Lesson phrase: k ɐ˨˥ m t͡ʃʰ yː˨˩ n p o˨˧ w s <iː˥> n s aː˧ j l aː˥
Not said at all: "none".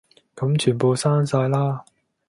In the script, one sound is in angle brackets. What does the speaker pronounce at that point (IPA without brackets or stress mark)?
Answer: aː˥